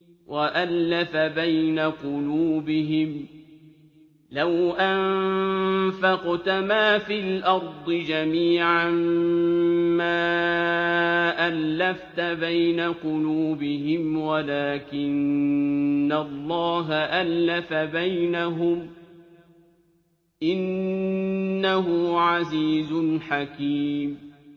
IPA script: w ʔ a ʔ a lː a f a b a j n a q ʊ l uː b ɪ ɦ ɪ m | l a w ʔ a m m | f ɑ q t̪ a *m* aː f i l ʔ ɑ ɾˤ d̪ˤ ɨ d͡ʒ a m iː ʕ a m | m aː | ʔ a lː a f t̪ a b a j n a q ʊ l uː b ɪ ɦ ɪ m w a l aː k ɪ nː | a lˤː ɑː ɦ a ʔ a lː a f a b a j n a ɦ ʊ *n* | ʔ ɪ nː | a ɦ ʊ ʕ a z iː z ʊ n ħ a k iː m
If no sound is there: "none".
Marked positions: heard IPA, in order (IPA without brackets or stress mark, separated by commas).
m, m